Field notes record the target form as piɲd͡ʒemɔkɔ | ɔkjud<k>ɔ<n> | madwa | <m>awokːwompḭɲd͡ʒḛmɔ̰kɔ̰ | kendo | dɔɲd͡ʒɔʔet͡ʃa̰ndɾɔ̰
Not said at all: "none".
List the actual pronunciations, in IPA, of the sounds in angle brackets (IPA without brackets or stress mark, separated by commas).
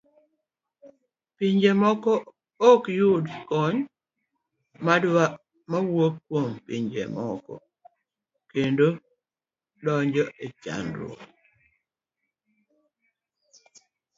k, ɲ, m